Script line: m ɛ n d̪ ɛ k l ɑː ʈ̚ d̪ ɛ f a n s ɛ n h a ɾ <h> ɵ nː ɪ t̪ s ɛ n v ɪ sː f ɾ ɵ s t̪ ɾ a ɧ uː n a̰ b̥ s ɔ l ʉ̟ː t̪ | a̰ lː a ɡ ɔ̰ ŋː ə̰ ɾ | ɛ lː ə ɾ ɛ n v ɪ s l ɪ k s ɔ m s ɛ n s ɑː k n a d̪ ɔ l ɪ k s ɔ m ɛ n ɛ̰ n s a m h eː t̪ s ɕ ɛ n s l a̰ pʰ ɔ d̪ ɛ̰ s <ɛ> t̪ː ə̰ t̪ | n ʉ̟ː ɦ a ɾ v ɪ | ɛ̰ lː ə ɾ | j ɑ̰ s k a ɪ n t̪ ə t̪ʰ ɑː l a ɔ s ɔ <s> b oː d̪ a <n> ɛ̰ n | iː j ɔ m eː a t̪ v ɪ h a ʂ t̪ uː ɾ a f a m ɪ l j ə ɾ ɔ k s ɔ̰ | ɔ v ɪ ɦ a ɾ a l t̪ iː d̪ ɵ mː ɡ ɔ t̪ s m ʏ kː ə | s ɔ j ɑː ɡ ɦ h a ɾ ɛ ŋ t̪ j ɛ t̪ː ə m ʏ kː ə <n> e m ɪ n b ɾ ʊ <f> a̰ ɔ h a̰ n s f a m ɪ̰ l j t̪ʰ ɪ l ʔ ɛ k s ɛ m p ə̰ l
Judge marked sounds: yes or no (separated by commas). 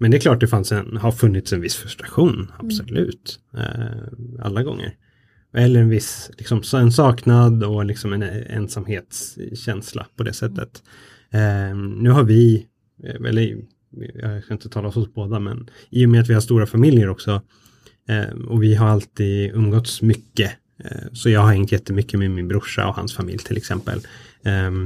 no, yes, yes, no, no, no